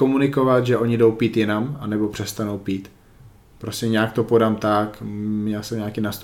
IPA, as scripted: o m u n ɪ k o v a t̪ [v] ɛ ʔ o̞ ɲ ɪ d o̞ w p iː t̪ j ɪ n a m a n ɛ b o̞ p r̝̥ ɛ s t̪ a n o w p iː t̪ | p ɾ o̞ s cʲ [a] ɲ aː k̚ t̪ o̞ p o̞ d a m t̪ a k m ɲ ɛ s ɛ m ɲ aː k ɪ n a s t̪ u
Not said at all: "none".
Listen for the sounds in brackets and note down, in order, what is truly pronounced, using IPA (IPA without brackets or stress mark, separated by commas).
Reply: ʒ, ɛ